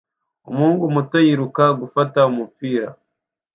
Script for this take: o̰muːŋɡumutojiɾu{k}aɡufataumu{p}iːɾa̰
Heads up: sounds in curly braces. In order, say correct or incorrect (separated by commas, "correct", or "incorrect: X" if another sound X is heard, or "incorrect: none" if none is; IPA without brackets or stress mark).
correct, correct